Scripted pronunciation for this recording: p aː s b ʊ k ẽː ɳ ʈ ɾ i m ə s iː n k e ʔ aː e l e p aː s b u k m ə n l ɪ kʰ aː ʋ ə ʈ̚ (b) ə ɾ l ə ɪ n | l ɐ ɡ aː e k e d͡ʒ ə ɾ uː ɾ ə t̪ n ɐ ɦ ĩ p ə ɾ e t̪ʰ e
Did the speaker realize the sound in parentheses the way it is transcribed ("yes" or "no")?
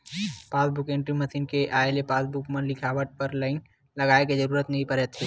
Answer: no